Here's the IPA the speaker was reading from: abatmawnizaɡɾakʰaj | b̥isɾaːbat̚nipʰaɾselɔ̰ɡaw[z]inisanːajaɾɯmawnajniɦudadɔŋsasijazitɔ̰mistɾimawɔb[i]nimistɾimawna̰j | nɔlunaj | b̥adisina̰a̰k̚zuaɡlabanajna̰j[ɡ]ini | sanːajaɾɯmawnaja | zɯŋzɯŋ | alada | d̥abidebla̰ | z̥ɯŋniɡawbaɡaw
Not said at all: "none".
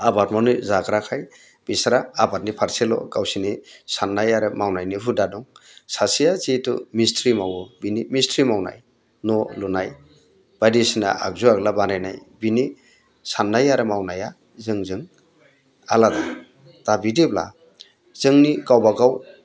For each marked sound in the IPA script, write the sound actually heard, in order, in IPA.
s, i, b

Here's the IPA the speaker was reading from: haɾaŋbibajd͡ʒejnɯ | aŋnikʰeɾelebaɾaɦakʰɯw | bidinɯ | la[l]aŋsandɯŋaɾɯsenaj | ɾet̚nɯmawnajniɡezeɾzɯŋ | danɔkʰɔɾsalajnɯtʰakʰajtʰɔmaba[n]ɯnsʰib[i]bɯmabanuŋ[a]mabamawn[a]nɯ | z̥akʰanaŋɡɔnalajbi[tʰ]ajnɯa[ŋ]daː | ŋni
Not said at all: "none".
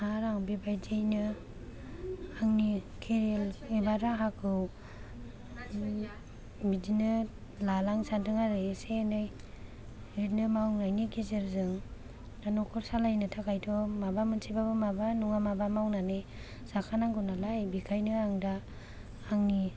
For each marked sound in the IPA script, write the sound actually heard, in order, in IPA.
l, m, a, a, a, kʰ, ŋ

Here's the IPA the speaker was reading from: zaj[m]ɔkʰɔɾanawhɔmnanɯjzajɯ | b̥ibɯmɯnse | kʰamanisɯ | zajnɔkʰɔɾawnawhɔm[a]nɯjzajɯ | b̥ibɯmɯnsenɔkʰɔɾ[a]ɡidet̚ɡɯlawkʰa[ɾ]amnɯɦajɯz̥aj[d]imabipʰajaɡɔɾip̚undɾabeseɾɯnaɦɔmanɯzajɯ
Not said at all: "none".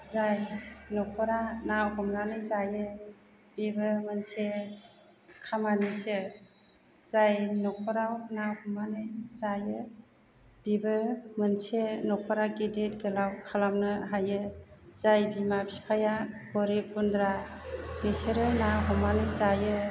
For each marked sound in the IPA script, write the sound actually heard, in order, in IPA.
n, a, a, l, b

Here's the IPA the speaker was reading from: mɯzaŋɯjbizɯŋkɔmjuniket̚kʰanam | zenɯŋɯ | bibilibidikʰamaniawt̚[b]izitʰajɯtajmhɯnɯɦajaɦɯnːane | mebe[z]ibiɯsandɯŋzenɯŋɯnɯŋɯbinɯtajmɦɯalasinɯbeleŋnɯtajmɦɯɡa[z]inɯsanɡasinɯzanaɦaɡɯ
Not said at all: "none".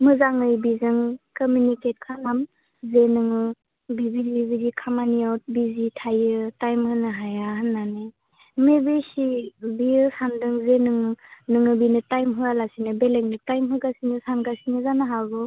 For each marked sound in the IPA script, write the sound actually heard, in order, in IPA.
b, s, s

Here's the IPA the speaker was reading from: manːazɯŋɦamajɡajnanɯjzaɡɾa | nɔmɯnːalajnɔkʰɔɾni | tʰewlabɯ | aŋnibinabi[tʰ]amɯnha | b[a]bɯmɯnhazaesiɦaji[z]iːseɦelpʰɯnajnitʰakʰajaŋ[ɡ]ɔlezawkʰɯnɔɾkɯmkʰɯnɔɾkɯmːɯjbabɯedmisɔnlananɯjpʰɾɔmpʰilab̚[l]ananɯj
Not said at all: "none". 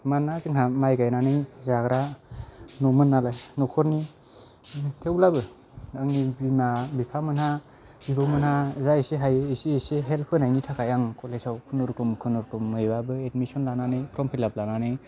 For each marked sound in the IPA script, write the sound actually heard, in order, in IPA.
pʰ, i, s, k, l

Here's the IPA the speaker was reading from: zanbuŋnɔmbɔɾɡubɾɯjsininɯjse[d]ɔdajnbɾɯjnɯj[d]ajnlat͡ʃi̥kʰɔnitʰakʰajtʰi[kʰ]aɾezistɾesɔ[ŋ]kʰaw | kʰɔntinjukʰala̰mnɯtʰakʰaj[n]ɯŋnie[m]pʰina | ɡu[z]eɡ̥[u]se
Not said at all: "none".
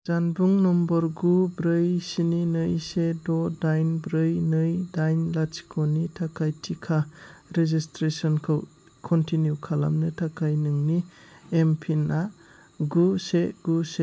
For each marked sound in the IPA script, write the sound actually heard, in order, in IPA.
d, d, kʰ, n, n, m, s, u

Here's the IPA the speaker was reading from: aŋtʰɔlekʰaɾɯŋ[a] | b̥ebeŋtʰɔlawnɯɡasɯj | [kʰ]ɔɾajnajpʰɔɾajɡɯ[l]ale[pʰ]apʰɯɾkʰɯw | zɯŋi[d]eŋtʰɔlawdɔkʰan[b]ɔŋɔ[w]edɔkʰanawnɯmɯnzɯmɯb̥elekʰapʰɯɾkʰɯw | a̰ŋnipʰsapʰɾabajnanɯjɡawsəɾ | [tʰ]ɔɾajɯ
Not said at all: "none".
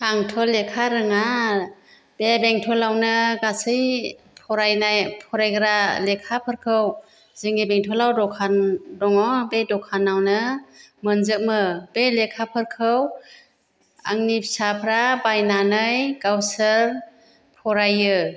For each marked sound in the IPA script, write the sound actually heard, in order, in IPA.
a, pʰ, ɾ, kʰ, b, d, b, pʰ

